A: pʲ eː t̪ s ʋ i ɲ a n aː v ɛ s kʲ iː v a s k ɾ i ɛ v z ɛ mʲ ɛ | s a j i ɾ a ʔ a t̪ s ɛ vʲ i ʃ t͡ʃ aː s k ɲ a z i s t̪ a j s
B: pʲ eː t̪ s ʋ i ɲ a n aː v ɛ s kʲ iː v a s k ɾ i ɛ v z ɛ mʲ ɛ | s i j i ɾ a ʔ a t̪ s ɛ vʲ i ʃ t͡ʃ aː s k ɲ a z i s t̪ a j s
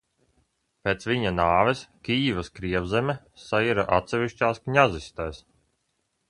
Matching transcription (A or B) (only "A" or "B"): A